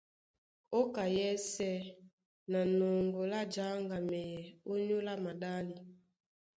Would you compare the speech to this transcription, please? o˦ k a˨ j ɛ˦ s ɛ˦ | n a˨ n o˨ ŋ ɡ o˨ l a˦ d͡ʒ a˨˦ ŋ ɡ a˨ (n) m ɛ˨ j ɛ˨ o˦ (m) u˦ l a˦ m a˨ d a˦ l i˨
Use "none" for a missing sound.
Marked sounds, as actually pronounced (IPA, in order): none, ɲ

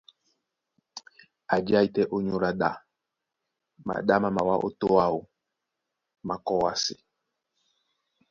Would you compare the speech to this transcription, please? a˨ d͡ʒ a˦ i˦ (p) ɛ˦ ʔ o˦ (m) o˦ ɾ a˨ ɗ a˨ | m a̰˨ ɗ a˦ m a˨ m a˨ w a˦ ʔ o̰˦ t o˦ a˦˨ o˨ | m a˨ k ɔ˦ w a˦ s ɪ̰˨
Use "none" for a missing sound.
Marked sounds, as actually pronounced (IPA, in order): t, ɲ

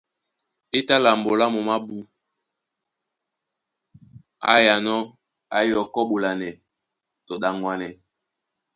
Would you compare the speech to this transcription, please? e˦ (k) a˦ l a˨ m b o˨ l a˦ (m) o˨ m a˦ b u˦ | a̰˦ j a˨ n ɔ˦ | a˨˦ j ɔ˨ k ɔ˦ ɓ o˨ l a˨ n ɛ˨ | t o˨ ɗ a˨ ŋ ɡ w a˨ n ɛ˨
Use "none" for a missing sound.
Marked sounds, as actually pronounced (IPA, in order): t, m

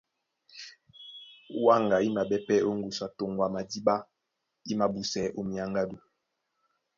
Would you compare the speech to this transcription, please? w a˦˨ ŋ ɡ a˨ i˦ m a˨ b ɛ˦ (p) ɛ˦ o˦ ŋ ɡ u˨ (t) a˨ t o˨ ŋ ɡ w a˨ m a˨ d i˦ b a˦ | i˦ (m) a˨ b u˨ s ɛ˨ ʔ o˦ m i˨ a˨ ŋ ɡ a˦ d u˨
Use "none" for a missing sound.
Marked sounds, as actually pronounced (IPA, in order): p, s, m

